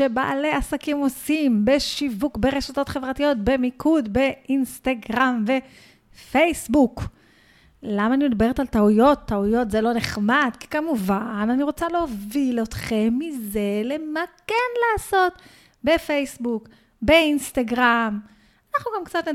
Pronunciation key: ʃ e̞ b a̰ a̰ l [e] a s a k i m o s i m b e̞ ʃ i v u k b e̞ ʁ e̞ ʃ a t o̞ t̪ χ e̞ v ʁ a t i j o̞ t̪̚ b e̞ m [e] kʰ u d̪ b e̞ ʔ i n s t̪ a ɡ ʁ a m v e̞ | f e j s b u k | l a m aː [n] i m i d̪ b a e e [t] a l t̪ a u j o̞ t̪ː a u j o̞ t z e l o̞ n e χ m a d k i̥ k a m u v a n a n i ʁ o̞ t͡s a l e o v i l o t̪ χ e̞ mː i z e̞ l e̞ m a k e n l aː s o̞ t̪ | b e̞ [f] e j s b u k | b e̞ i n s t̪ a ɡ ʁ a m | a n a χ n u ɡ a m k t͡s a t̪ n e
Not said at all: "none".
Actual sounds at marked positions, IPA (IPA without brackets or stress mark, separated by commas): e, i, n, t, f